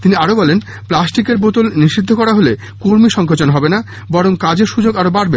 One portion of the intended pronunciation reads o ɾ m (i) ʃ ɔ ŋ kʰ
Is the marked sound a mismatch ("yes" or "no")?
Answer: no